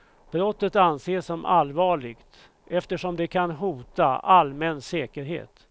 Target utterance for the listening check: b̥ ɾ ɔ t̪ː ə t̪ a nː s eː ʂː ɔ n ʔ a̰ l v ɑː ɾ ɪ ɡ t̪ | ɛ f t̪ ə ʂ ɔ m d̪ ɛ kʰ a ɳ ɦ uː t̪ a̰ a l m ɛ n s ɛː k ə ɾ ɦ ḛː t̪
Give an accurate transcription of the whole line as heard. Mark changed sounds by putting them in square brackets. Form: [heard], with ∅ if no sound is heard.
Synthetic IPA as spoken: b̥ ɾ ɔ t̪ː ə t̪ a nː s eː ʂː ɔ [m] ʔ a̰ l v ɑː [ɭ] ɪ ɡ t̪ | ɛ f t̪ ə ʂ ɔ m d̪ ɛ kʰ a [n] ɦ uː t̪ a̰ a l m ɛ n s ɛː k ə ɾ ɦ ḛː t̪